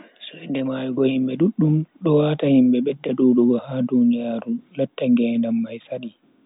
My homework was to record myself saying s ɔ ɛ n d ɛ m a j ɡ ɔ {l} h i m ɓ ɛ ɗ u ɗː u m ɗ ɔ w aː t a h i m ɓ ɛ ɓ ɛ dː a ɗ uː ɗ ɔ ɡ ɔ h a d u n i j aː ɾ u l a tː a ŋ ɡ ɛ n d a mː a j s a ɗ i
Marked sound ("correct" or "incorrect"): incorrect